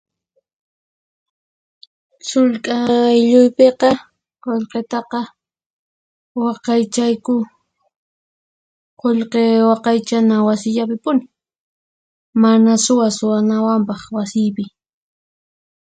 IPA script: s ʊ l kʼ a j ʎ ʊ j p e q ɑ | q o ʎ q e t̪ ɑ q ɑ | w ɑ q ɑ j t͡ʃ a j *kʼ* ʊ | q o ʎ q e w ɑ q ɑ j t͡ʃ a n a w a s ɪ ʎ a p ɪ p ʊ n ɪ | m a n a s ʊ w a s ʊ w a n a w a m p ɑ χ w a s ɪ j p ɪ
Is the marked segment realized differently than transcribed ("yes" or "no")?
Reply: yes